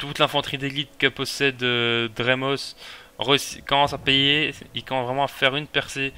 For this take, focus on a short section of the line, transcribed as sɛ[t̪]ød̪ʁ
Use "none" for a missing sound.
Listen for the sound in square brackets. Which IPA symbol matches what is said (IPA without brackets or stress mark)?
d̪